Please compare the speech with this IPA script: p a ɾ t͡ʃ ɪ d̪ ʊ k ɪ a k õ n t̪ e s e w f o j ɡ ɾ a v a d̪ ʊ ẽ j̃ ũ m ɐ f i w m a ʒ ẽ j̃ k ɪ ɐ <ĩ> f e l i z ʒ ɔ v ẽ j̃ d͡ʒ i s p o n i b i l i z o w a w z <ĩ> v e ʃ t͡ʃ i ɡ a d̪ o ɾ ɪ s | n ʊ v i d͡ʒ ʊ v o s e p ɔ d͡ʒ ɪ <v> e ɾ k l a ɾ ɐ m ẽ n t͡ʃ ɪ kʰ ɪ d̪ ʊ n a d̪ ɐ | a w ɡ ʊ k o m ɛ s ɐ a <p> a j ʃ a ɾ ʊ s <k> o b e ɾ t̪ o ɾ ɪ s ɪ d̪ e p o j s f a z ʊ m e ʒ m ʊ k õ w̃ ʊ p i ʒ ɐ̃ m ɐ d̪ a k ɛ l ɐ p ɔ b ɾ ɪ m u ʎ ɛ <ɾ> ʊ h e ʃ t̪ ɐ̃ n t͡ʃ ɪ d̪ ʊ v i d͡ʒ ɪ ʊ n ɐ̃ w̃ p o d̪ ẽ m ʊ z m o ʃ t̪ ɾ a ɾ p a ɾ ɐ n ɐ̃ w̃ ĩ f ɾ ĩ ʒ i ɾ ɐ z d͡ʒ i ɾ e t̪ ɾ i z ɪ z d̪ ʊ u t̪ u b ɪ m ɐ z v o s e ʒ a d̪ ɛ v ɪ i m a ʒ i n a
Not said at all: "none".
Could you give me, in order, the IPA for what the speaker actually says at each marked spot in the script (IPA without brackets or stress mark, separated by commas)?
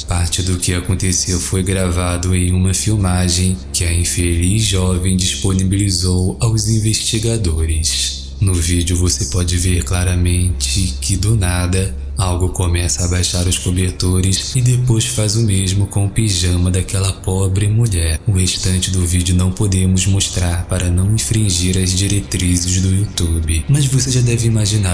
ĩ, ĩ, v, b, k, ɾ